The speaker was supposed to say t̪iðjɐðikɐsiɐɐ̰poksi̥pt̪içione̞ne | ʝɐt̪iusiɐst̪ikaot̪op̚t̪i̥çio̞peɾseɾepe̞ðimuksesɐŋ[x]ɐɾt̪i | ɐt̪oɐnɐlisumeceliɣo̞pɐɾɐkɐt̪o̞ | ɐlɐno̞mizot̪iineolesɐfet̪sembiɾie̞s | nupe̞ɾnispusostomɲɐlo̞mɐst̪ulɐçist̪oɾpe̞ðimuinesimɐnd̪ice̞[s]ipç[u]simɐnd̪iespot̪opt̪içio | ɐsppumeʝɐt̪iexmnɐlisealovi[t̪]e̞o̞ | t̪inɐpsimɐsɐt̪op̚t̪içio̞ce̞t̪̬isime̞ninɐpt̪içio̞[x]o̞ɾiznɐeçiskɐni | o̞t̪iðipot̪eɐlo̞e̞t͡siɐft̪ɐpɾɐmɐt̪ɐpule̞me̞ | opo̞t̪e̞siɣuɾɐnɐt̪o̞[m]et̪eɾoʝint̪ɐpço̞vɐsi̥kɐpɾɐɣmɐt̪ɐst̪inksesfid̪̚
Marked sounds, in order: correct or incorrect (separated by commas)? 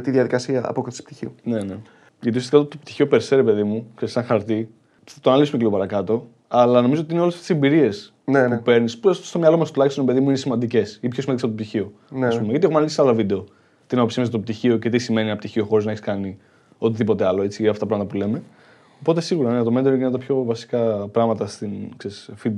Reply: correct, correct, incorrect, incorrect, correct, correct